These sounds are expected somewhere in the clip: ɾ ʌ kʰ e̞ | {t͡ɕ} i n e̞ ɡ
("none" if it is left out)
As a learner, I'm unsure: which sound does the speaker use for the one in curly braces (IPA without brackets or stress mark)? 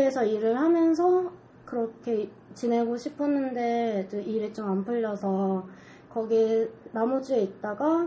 t͡ɕ